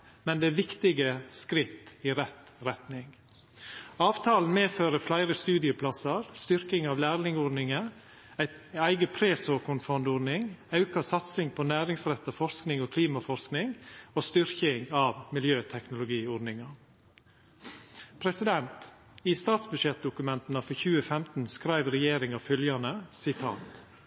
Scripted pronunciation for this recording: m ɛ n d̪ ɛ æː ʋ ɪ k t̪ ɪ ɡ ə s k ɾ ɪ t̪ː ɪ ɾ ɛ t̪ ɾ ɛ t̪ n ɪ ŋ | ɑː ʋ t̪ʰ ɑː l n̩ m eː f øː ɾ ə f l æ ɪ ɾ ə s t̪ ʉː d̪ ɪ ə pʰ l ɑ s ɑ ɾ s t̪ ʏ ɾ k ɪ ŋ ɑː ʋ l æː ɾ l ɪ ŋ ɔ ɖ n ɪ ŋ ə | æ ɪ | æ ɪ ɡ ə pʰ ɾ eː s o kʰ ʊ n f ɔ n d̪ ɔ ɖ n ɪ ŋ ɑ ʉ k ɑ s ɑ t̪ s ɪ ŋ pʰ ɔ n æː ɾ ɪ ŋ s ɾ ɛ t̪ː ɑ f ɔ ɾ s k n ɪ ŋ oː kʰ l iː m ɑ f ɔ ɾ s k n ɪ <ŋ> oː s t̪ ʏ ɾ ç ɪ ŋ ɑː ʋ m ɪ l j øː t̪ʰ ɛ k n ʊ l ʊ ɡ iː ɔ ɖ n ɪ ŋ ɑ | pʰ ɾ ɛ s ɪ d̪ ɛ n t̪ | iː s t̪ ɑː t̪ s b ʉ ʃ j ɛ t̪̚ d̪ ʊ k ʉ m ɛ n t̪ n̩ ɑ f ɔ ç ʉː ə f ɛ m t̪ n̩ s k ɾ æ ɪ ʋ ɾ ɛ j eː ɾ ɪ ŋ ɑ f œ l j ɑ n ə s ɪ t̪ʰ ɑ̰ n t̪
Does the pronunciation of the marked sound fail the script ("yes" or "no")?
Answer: no